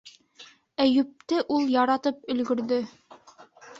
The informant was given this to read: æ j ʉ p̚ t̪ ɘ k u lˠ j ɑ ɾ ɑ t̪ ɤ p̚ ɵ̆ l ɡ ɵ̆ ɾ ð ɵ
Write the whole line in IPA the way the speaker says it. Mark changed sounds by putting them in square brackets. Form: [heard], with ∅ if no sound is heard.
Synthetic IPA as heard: æ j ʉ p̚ t̪ ɘ [ʔ] u lˠ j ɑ ɾ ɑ t̪ ɤ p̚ ɵ̆ l ɡ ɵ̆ ɾ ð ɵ